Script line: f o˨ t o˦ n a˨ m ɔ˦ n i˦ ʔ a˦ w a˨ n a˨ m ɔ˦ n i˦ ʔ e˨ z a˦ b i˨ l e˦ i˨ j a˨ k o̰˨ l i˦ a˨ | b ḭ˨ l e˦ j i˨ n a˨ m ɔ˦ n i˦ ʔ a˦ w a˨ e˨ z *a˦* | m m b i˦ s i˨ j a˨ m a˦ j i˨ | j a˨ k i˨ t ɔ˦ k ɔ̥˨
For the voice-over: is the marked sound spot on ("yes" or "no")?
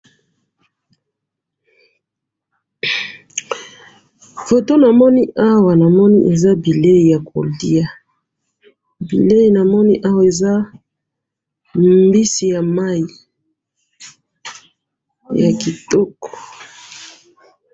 yes